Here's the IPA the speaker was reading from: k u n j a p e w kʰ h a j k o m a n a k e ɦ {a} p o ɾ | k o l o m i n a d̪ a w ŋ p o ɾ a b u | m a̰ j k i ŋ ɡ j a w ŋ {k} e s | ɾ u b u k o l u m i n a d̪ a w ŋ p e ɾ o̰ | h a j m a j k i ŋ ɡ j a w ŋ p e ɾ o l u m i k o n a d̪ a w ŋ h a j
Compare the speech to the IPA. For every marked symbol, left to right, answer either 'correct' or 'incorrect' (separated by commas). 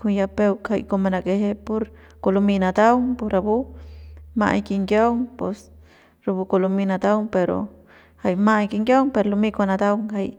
incorrect, incorrect